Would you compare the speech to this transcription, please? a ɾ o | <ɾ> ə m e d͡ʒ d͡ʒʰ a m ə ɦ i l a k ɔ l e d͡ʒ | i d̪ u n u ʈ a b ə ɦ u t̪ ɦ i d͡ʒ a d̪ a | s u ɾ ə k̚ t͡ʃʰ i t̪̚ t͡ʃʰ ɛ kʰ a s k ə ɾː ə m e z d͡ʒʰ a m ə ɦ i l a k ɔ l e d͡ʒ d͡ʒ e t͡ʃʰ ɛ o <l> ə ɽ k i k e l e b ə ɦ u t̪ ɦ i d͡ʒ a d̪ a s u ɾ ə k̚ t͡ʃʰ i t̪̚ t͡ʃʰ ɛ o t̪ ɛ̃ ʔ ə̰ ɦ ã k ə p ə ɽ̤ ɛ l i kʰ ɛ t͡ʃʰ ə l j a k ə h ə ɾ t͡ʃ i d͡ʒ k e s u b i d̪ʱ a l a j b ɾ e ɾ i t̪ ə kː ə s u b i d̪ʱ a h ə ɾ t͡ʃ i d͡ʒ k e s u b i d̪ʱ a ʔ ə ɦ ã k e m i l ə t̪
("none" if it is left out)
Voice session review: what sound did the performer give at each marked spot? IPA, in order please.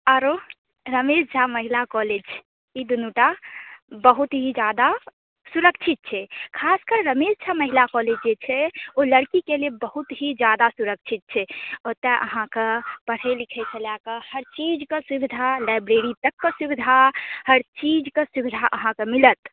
ɾ, l

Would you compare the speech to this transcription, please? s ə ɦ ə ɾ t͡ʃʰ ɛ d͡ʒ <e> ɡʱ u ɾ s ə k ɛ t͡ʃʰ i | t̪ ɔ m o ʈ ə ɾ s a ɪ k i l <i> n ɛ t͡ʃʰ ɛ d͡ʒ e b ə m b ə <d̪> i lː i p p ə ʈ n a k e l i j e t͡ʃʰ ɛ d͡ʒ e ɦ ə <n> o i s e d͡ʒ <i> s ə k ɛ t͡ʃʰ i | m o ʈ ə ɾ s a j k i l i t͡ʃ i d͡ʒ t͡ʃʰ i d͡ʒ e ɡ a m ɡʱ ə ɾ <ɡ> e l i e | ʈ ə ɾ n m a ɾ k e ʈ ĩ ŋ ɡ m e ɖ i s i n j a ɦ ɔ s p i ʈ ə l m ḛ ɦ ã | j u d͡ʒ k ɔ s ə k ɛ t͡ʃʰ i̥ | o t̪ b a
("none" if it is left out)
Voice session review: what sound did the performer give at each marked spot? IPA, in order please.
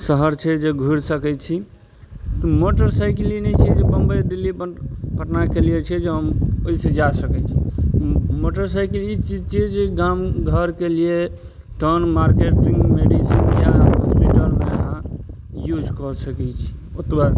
e, i, d̪, m, a, k

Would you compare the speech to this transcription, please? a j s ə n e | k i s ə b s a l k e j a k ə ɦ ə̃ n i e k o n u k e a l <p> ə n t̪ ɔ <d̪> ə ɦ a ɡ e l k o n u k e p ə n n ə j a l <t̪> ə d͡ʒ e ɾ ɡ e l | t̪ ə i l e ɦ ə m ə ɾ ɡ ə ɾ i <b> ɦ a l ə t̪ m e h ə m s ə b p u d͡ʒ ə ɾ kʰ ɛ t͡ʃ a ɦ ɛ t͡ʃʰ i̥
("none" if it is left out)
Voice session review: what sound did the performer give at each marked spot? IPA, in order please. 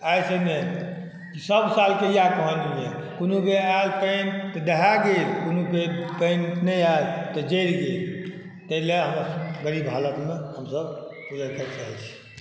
p, d̪, t̪, b

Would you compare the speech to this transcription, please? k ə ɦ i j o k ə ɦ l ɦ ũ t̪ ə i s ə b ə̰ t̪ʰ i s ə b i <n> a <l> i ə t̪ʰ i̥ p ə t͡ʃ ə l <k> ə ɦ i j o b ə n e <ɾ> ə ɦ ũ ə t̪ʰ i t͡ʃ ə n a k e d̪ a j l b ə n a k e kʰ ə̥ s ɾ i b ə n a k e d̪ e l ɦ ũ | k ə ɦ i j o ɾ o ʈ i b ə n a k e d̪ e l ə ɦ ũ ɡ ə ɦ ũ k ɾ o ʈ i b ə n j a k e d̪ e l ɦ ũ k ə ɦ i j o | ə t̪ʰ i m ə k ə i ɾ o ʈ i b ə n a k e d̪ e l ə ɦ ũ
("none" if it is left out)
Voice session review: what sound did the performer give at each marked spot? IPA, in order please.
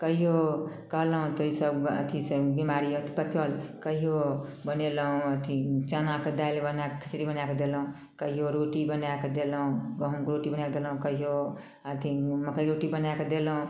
m, ɾ, k, l

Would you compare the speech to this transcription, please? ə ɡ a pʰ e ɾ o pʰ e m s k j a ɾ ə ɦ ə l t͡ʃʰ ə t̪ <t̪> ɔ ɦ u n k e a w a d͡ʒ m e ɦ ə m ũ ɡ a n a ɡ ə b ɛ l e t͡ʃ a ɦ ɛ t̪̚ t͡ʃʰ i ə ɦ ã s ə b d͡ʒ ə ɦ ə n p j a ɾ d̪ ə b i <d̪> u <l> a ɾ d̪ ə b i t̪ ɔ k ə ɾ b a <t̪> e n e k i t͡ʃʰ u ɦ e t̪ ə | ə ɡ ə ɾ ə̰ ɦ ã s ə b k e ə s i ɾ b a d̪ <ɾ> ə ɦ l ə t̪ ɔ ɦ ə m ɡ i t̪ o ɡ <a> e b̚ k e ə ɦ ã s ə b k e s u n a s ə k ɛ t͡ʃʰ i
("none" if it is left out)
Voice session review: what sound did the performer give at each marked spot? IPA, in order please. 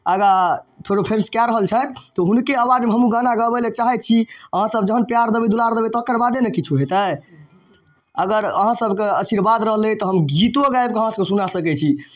t̪, d̪, l, d̪, ɾ, a

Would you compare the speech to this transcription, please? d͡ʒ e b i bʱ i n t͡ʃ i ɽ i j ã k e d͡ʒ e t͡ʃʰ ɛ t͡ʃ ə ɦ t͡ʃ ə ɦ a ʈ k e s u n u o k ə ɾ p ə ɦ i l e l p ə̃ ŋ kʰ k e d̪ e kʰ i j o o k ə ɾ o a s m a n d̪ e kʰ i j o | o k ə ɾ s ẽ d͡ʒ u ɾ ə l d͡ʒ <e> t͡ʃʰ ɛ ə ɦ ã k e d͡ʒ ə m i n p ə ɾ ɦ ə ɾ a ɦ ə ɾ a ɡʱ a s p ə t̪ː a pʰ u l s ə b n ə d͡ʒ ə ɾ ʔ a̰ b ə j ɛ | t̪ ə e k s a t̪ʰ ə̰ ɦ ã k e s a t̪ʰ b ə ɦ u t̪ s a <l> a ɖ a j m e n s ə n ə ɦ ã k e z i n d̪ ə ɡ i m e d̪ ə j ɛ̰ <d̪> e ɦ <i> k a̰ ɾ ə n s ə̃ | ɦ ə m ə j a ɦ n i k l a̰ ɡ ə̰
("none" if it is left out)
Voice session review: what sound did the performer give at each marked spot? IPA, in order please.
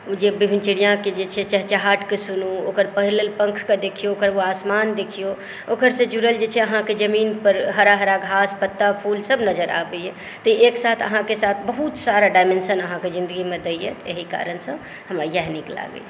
e, ɾ, t̪, i

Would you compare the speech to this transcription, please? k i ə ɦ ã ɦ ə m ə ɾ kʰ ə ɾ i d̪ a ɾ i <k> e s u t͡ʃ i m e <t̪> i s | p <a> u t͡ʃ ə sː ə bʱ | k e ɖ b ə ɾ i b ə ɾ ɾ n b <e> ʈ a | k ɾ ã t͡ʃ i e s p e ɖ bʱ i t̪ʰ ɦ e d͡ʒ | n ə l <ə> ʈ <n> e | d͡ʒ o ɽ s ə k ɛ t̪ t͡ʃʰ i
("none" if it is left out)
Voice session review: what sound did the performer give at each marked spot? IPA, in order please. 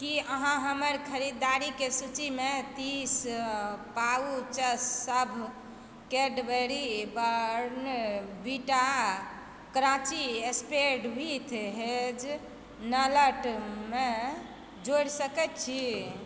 k, t̪, a, i, ə, m

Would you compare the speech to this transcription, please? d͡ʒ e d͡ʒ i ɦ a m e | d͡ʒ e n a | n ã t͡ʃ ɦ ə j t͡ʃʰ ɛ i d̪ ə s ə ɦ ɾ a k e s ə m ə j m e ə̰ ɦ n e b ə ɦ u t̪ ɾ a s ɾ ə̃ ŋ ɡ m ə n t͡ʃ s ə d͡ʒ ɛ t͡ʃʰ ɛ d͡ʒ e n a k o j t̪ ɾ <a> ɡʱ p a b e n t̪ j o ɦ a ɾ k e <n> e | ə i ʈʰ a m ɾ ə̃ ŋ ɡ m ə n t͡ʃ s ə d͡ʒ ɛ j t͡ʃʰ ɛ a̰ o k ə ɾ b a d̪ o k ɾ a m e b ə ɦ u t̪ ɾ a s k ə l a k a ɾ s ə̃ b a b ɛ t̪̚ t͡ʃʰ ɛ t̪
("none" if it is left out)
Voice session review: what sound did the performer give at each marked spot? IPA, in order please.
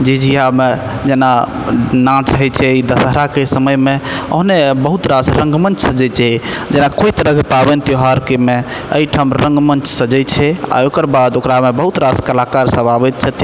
ə, m

